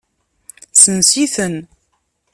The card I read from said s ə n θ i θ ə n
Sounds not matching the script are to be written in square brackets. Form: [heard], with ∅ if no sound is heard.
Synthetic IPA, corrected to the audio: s ə n [s] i θ ə n